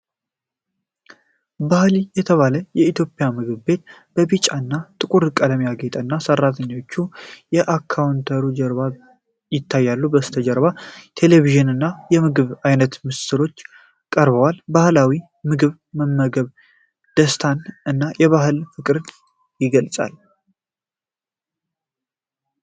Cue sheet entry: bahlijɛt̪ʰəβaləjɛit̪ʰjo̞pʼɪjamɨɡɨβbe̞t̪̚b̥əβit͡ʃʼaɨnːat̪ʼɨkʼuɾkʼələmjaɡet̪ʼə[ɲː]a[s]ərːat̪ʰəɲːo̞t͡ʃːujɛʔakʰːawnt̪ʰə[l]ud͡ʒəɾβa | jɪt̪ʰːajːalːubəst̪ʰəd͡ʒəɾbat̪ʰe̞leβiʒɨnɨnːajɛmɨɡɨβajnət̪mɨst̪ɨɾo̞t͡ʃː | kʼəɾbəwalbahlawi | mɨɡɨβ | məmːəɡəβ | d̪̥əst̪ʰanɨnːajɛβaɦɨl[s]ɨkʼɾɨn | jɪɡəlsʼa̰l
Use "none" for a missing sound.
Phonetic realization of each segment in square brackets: nː, s, ɾ, f

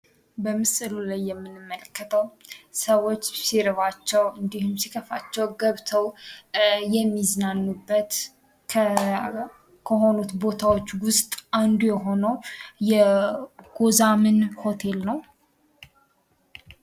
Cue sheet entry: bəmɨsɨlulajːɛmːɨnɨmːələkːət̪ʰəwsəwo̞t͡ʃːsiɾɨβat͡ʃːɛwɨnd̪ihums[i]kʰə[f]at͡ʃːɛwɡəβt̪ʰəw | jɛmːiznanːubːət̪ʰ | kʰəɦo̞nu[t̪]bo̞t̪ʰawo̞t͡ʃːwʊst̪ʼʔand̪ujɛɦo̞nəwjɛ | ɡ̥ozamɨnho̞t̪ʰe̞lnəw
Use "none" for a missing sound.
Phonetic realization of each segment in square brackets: i, f, t̪

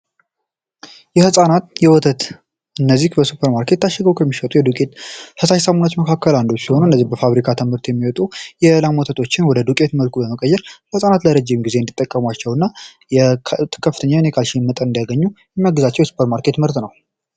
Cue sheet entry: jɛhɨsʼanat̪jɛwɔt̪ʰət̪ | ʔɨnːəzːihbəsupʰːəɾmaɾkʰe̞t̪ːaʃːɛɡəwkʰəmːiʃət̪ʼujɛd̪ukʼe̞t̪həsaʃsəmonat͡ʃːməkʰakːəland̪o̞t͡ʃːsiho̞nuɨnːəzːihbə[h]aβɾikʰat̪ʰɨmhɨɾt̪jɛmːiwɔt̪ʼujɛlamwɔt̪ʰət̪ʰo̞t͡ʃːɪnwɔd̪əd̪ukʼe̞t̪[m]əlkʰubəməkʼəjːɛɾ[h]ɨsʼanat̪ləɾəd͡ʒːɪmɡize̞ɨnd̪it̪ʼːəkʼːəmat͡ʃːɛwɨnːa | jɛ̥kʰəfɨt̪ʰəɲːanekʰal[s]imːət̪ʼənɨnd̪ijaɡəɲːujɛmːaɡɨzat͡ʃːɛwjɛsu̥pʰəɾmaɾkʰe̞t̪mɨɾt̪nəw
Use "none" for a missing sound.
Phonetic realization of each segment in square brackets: f, m, h, ʃ

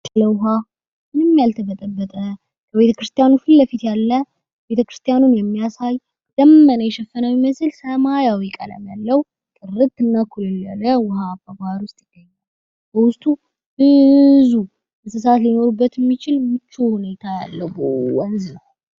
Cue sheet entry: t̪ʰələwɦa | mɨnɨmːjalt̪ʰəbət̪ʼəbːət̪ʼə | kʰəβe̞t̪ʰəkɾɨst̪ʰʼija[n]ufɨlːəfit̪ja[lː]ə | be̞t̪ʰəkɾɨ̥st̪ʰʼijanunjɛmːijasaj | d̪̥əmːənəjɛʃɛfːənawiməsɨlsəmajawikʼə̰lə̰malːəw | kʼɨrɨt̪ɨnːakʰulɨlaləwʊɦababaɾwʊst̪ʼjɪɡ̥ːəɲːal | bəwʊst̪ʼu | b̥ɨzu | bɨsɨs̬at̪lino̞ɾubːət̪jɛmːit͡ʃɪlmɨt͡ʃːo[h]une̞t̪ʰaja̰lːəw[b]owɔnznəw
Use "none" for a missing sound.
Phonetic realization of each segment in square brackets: n, lː, h, b

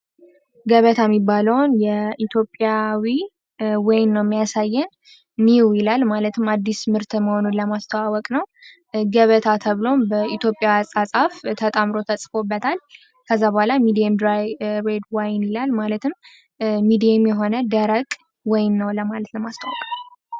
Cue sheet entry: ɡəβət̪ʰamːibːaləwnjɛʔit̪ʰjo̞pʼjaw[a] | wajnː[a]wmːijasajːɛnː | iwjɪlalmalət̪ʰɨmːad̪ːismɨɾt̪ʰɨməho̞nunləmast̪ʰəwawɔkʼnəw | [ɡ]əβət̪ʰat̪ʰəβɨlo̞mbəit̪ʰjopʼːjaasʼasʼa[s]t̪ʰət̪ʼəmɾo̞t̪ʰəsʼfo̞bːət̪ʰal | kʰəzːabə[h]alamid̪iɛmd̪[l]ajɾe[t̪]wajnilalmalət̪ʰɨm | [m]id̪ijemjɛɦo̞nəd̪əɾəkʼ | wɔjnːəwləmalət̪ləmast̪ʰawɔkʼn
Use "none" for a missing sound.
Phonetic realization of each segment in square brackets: i, ə, ɡ, f, h, ɾ, d̪, m

